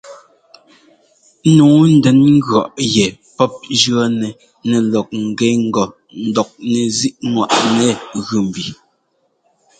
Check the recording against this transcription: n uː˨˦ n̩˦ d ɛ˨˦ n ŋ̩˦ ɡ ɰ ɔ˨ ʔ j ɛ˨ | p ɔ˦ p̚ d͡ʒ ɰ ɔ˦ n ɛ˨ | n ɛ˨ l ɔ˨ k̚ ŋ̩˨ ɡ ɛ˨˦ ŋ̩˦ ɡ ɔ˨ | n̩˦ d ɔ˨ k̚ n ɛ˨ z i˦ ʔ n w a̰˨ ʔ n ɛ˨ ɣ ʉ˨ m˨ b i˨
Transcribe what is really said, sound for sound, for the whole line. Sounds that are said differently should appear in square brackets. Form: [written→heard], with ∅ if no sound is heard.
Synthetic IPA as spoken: n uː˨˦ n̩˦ d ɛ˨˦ n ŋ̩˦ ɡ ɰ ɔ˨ ʔ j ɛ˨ | p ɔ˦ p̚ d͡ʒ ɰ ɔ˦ n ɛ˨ | n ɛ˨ l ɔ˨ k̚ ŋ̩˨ ɡ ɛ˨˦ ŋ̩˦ ɡ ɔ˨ | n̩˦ d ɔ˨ k̚ n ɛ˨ z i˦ ʔ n w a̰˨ ʔ n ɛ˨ ɣ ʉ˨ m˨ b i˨